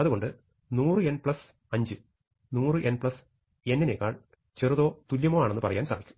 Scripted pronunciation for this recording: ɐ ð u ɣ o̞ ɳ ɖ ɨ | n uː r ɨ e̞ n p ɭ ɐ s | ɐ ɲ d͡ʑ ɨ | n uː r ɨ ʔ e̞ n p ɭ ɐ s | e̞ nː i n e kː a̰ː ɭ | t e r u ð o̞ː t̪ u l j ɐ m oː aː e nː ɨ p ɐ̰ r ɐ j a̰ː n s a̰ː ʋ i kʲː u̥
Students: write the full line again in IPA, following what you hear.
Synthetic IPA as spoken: ɐ ð u ɣ o̞ ɳ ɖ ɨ | n uː r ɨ e̞ n p ɭ ɐ s | ɐ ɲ d͡ʑ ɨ | n uː r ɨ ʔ e̞ n p ɭ ɐ s | e̞ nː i n e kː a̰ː ɭ | t͡ɕ e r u ð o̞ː t̪ u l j ɐ m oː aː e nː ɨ p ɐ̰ r ɐ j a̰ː n s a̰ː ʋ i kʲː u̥